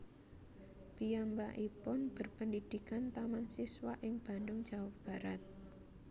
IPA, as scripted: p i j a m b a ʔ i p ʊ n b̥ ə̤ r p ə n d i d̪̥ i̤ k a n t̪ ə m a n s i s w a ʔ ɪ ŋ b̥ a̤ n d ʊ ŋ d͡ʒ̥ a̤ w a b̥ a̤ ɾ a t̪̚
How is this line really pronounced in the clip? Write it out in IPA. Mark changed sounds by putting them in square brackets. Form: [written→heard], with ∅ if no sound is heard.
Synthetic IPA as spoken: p i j a m b a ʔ i p ʊ n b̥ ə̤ r p ə n d i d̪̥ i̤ k a n t̪ [ə→a] m a n s i s w a ʔ ɪ ŋ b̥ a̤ n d ʊ ŋ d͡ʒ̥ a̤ w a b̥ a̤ ɾ a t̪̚